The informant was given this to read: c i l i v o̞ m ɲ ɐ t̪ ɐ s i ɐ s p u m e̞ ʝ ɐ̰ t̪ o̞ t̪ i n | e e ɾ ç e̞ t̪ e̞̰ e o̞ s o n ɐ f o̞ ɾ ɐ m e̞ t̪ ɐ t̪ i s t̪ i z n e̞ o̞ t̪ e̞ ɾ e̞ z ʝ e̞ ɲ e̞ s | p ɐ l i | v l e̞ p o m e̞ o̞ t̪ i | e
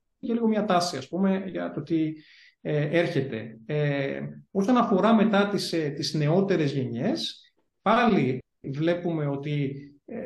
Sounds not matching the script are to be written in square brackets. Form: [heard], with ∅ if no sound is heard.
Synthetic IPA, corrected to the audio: c [e] l i [ɣ] o̞ m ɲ ɐ t̪ ɐ s i ɐ s p u m e̞ ʝ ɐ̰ t̪ o̞ t̪ i [∅] | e e ɾ ç e̞ t̪ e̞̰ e o̞ s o n ɐ f o̞ ɾ ɐ m e̞ t̪ ɐ t̪ i s t̪ i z n e̞ o̞ t̪ e̞ ɾ e̞ z ʝ e̞ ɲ e̞ s | p ɐ l i | v l e̞ p [u] m e̞ o̞ t̪ i | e